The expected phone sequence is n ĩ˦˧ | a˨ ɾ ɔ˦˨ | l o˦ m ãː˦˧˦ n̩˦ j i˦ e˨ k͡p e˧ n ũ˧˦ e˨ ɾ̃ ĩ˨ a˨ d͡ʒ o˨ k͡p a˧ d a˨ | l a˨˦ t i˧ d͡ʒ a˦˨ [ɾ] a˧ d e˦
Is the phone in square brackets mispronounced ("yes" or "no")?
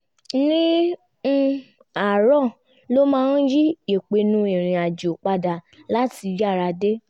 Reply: no